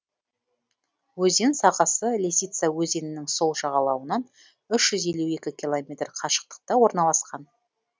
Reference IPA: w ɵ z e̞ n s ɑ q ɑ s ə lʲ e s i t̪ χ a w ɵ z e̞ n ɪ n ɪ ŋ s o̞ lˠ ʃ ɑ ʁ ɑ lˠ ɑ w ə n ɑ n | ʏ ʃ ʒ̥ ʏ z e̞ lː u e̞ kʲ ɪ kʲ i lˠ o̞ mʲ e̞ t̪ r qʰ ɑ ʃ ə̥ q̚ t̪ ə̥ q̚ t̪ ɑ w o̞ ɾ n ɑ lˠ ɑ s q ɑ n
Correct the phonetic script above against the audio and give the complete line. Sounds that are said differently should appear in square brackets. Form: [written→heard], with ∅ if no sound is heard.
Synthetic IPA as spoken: w ɵ z e̞ n s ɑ q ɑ s ə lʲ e s i t̪ [χ→s] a w ɵ z e̞ n ɪ n ɪ ŋ s o̞ lˠ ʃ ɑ ʁ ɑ lˠ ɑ w ə n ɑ n | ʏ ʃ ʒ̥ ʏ z e̞ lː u e̞ kʲ ɪ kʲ i lˠ o̞ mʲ e̞ t̪ r qʰ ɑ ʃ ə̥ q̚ t̪ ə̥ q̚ t̪ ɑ w o̞ ɾ n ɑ lˠ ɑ s q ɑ n